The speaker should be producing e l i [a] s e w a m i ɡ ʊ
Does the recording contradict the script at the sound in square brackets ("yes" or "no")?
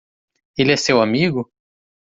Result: yes